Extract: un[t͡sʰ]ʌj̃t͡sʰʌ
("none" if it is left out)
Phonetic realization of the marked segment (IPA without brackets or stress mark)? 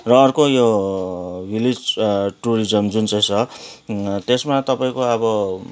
t͡s